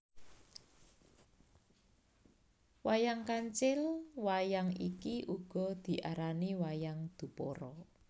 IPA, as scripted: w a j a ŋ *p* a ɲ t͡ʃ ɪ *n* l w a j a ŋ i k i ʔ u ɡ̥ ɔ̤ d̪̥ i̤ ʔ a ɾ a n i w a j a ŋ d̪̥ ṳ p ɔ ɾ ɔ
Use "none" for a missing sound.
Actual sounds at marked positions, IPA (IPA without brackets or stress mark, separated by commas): k, none